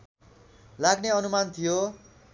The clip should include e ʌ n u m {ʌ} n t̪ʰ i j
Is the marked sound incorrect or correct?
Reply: incorrect